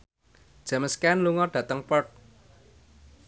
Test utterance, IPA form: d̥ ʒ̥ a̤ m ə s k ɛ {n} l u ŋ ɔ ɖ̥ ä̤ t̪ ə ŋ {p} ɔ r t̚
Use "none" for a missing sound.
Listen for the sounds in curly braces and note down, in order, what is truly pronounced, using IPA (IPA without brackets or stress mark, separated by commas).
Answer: n, p